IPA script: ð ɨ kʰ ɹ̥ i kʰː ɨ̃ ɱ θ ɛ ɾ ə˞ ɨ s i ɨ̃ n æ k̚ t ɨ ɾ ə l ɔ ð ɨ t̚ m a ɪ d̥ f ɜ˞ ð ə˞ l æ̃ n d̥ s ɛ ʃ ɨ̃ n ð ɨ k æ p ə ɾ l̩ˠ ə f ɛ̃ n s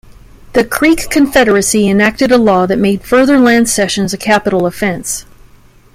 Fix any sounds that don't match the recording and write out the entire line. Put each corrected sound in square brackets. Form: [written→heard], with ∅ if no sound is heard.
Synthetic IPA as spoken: ð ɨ kʰ ɹ̥ i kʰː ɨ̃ ɱ [θ→f] ɛ ɾ ə˞ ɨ s i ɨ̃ n æ k̚ t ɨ ɾ ə l ɔ ð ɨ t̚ m [a→e] ɪ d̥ f ɜ˞ ð ə˞ l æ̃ n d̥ s ɛ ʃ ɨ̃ n [ð→z] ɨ [k→kʰ] æ p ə ɾ l̩ˠ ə f ɛ̃ n s